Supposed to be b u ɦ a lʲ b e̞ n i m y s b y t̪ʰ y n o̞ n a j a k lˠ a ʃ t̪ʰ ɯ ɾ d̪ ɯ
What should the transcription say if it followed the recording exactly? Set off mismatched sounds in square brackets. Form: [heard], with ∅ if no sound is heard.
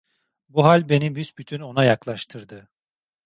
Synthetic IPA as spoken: b u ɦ a lʲ b e̞ n i [b] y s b y t̪ʰ y n o̞ n a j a k lˠ a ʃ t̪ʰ ɯ ɾ d̪ ɯ